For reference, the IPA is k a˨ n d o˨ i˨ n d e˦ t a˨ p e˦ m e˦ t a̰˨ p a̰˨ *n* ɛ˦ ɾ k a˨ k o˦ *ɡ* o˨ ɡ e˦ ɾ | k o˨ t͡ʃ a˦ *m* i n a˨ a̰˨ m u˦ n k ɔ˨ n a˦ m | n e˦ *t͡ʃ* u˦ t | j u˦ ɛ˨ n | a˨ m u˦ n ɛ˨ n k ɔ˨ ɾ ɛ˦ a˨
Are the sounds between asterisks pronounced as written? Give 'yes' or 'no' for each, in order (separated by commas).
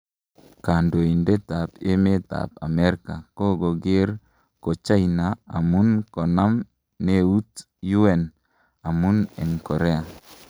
no, yes, no, no